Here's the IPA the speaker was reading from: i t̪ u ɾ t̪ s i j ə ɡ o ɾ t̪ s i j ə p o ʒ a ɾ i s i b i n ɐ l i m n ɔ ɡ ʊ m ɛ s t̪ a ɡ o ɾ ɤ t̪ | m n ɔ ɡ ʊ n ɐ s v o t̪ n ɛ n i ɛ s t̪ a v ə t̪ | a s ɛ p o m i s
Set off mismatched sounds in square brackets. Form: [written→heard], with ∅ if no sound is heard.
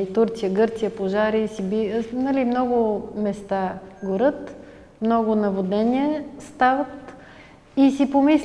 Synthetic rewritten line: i t̪ u ɾ t̪ s i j ə ɡ [o→ɤ] ɾ t̪ s i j ə p o ʒ a ɾ i s i b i n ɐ l i m n ɔ ɡ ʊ m ɛ s t̪ a ɡ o ɾ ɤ t̪ | m n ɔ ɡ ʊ n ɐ [s→∅] v o [t̪→d̪] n ɛ n i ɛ s t̪ a v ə t̪ | [a→i] s [ɛ→i] p o m i s